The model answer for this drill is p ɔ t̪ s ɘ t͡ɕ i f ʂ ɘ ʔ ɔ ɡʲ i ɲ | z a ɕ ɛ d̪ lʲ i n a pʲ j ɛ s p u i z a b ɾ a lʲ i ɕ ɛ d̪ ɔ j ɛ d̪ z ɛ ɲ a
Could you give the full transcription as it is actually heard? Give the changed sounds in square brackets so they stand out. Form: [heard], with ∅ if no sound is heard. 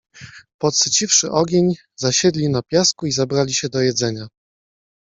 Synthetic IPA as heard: p ɔ t̪ s ɘ t͡ɕ i f ʂ ɘ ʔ ɔ ɡʲ [e] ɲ | z a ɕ ɛ d̪ lʲ i n a pʲ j [a] s [k] u i z a b ɾ a lʲ i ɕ ɛ d̪ ɔ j ɛ d̪ z ɛ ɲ a